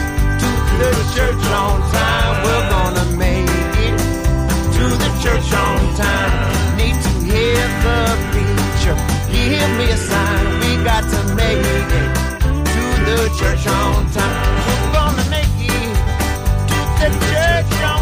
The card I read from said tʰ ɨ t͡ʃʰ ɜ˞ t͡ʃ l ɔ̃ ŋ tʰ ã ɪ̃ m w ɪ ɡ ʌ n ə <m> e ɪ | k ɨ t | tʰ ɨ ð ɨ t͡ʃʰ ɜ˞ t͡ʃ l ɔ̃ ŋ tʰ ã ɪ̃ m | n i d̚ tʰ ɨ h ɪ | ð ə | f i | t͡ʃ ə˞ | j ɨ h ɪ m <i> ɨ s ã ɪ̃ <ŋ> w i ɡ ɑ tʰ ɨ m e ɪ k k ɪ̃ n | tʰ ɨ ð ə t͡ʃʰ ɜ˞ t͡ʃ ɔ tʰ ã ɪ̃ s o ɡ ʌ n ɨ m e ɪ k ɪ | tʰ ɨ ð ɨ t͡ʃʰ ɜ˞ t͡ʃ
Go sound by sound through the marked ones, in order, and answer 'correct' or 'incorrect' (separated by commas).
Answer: correct, correct, incorrect